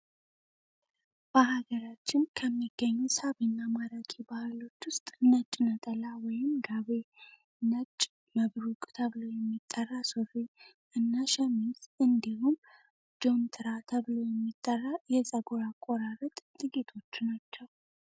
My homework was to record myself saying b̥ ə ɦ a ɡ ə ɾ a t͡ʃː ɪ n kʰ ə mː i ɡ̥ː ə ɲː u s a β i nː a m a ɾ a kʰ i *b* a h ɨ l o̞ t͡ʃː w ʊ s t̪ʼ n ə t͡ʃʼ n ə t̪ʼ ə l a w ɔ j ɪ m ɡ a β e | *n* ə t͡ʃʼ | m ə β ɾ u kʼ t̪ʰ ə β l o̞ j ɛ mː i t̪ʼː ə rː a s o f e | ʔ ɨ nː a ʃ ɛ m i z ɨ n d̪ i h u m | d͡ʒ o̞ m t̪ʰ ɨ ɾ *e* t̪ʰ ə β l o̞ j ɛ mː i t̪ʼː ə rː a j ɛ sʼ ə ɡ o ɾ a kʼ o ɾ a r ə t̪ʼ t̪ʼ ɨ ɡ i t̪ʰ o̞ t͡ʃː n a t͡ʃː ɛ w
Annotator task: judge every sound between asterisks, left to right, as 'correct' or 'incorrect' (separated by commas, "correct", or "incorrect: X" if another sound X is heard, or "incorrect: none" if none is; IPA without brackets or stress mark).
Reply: correct, correct, incorrect: a